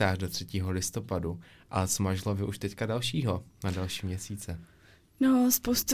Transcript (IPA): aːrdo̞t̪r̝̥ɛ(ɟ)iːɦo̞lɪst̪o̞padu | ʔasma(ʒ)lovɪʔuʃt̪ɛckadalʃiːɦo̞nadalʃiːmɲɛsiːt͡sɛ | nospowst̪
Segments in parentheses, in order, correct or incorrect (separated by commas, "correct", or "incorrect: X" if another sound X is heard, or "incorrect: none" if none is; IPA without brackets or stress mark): incorrect: c, correct